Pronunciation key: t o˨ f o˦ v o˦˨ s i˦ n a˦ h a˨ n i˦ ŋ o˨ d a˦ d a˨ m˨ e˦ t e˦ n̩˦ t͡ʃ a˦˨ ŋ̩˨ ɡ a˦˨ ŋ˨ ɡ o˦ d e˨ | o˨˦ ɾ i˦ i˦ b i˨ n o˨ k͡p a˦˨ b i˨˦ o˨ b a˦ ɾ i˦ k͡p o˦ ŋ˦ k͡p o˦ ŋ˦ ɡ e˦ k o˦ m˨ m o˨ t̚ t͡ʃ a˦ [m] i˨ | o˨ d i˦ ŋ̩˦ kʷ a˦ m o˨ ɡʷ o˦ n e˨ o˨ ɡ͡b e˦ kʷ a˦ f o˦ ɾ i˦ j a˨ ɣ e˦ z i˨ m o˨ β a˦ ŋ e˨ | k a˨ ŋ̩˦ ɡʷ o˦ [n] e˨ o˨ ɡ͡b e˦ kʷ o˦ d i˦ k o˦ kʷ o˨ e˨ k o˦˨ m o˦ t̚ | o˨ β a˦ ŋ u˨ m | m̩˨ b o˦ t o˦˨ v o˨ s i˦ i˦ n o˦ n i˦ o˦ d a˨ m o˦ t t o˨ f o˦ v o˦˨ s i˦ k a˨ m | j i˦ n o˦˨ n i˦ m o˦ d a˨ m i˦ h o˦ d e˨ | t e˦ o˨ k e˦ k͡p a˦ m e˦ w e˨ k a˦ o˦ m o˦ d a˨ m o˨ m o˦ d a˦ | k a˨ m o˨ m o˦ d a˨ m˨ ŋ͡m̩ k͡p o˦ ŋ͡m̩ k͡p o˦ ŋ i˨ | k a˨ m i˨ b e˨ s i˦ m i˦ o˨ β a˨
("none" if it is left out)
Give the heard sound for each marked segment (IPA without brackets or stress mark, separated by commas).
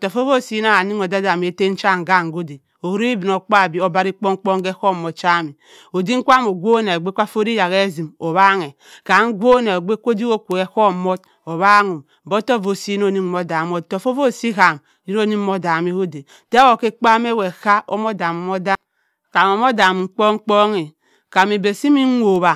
m, n